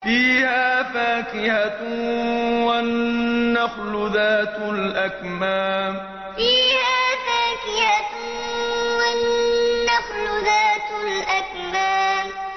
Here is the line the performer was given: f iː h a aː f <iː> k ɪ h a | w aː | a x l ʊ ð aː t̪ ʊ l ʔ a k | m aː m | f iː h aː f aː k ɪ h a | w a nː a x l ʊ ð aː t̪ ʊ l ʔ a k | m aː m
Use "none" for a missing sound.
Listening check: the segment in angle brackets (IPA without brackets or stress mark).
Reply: aː